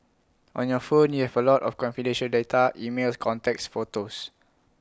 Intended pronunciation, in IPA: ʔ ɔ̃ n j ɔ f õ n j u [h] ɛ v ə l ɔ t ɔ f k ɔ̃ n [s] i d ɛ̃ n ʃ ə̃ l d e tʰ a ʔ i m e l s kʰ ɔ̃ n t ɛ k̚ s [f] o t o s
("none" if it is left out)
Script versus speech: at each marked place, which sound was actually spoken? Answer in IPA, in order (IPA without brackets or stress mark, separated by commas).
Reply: h, f, f